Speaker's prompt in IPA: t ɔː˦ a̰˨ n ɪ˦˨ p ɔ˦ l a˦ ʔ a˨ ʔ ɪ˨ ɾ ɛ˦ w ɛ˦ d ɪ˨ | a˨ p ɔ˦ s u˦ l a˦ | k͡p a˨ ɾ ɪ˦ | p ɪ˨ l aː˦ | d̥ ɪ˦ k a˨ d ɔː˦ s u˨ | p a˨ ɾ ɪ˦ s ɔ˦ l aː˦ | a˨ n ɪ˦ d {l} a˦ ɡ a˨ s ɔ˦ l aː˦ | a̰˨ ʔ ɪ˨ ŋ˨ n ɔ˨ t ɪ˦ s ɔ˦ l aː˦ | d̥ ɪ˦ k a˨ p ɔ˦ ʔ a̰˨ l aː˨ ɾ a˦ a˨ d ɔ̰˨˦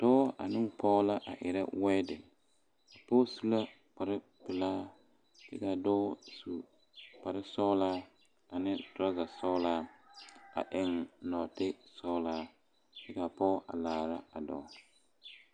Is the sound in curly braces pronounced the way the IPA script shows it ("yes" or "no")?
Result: no